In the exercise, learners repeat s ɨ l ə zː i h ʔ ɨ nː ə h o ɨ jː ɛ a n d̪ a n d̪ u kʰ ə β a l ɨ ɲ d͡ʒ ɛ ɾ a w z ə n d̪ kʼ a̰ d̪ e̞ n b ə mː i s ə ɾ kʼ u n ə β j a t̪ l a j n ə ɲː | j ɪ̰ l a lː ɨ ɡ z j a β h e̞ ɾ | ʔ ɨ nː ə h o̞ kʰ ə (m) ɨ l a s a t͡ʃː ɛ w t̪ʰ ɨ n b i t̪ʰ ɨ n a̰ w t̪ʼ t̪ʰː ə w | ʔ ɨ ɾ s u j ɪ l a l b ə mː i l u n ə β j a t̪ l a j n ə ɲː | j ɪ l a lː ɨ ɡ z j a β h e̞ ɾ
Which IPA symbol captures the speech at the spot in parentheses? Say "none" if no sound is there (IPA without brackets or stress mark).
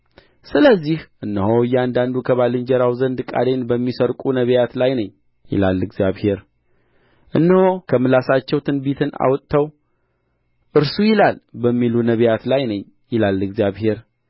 m